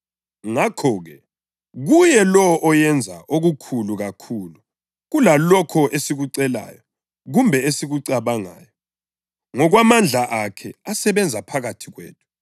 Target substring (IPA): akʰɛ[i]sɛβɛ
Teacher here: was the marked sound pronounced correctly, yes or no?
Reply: no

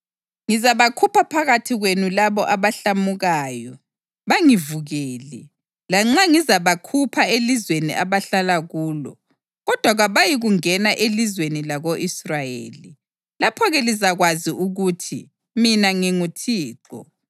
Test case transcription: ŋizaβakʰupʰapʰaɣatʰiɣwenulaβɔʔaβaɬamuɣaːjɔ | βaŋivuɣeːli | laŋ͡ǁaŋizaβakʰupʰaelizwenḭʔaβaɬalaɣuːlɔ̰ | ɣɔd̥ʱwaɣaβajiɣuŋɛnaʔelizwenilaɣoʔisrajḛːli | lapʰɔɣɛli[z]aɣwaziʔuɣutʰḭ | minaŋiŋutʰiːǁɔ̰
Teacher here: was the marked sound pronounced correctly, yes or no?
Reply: yes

